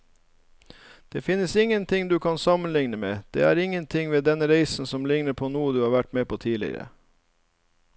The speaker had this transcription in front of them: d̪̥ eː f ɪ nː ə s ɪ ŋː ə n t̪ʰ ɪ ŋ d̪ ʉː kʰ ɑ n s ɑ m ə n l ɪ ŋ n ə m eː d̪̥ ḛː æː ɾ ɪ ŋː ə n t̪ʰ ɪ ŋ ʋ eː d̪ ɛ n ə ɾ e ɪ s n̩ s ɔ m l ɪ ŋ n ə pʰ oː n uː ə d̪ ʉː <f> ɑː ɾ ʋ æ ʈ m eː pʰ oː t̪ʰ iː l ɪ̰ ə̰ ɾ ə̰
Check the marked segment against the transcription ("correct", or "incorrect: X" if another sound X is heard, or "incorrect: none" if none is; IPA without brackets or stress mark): incorrect: h